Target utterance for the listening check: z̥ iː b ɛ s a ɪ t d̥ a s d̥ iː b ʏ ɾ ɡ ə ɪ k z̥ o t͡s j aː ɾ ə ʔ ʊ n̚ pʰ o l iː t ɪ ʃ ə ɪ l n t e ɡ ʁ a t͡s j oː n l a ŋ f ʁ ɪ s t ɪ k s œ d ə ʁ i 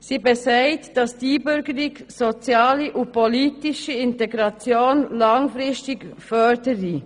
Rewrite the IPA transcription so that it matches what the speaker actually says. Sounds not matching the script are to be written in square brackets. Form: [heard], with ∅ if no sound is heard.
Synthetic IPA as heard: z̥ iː b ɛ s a ɪ t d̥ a s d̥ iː b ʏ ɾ ɡ ə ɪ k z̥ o t͡s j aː [l] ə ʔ ʊ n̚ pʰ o l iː t ɪ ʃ ə ɪ [∅] n t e ɡ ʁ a t͡s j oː n l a ŋ f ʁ ɪ s t ɪ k [f] œ d ə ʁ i

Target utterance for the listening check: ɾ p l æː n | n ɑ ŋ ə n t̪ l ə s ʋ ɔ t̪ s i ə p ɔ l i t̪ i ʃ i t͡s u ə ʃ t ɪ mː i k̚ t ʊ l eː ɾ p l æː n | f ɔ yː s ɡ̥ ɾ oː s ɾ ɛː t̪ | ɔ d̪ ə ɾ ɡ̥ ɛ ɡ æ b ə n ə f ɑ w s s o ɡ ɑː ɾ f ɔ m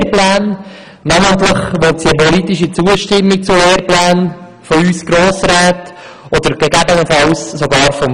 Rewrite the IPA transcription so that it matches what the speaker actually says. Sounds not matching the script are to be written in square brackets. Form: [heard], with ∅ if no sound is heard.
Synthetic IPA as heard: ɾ p l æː n | n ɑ [m] ə n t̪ l ə [χ] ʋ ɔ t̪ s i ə p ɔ l i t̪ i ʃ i t͡s u ə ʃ t ɪ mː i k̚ [t͡s] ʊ l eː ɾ p l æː n | f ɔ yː s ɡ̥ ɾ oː s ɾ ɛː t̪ | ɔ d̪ ə ɾ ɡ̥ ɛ ɡ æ b ə n ə f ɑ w s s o ɡ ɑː ɾ f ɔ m

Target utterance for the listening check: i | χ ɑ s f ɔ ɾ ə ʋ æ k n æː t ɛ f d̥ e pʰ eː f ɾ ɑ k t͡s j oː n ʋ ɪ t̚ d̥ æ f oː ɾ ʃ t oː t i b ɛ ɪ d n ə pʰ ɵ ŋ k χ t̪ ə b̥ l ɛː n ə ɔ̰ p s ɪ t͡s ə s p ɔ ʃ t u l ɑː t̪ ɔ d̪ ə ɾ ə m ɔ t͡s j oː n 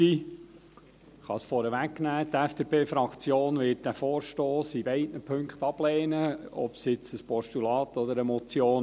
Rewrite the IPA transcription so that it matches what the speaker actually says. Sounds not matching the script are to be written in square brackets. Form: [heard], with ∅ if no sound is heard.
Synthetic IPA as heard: i | χ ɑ s f ɔ ɾ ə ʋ æ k n æː t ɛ f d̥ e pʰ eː f ɾ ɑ k t͡s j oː n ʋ ɪ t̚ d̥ æ f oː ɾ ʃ t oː [s] i b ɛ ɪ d n ə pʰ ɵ ŋ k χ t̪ [ɑ] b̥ l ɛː n ə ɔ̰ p s ɪ t͡s ə s p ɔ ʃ t u l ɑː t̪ ɔ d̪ ə ɾ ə m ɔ t͡s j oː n

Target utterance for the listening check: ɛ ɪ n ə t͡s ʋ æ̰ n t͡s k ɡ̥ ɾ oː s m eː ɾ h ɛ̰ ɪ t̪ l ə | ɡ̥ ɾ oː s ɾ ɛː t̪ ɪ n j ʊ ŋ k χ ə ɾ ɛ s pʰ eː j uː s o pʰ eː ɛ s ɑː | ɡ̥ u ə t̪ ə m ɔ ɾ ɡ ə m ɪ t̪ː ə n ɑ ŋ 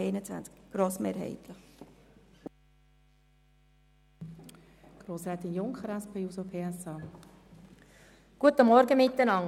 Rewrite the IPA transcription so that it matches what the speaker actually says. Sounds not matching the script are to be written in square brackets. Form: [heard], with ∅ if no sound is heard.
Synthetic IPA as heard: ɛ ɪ n ə t͡s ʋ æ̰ n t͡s k ɡ̥ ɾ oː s m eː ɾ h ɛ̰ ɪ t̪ l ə | ɡ̥ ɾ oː s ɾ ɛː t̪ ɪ n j ʊ ŋ k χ ə ɾ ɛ s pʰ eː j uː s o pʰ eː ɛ s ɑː | ɡ̥ u ə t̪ ə m ɔ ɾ ɡ ə m ɪ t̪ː ə n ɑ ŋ

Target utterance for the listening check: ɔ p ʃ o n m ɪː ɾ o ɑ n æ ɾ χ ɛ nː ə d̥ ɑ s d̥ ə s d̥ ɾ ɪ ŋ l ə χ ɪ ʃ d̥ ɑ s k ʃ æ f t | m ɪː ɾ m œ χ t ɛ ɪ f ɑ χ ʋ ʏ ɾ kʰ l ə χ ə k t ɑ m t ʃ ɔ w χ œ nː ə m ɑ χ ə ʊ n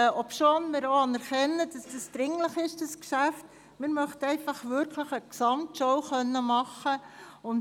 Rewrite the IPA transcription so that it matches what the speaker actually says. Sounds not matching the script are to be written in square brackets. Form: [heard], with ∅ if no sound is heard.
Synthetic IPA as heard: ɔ p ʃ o n m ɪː ɾ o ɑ n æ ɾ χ ɛ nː ə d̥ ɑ s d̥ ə s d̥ ɾ ɪ ŋ l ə χ ɪ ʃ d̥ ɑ s k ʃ æ f t | m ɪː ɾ m œ χ t ɛ ɪ f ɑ χ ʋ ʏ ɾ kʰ l ə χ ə k [s] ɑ m t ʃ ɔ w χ œ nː ə m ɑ χ ə ʊ n

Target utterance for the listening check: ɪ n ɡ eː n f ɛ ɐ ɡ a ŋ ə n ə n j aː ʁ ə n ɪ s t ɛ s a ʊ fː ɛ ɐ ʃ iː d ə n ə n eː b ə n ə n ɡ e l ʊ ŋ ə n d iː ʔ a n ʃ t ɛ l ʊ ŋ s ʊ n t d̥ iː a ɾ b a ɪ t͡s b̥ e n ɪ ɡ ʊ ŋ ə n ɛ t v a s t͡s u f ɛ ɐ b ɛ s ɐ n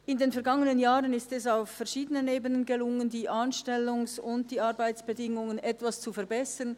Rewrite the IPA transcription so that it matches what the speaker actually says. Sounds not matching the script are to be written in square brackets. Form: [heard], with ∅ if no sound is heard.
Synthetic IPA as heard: ɪ n [d] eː n f ɛ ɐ ɡ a ŋ ə n ə n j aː ʁ ə n ɪ s t ɛ s a ʊ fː ɛ ɐ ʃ iː d ə n ə n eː b ə n ə n ɡ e l ʊ ŋ ə n d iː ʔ a n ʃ t ɛ l ʊ ŋ s ʊ n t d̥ iː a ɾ b a ɪ t͡s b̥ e [d] ɪ [ŋ] ʊ ŋ ə n ɛ t v a s t͡s u f ɛ ɐ b ɛ s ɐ n

